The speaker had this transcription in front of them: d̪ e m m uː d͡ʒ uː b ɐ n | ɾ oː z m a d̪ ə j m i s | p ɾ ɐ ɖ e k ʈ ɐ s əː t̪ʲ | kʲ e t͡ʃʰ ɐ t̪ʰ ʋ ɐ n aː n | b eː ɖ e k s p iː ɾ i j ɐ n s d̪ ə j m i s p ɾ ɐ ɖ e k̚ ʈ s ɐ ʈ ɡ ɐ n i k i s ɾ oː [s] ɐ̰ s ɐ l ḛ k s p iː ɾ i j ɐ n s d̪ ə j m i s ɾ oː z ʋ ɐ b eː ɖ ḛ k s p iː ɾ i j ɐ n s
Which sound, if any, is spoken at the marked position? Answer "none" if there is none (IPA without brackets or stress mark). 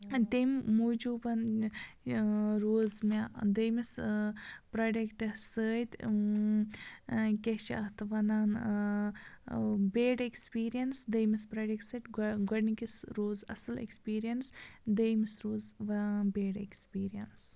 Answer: z